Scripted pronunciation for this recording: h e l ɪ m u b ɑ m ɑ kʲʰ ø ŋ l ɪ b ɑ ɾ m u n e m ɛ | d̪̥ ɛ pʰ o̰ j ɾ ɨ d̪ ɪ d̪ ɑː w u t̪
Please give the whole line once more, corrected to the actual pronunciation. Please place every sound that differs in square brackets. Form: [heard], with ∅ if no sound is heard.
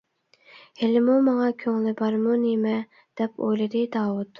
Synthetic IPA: h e l ɪ m u [m] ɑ [ŋ] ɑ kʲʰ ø ŋ l ɪ b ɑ ɾ m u n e m ɛ | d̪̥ ɛ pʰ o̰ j [l] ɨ d̪ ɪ d̪ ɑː w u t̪